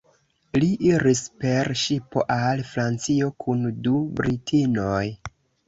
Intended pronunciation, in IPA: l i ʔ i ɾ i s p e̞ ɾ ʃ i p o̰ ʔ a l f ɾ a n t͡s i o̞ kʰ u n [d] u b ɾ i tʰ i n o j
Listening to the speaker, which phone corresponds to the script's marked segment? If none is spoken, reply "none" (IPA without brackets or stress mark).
d